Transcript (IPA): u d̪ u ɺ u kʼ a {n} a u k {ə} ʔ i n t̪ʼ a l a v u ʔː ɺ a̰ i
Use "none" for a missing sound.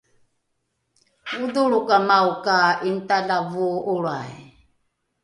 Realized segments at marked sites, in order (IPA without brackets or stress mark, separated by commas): m, a